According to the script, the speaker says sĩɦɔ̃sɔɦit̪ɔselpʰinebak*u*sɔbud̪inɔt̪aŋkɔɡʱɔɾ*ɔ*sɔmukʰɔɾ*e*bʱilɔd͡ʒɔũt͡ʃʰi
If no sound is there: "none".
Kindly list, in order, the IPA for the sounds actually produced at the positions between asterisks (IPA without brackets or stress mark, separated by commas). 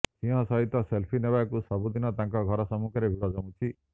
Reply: u, ɔ, e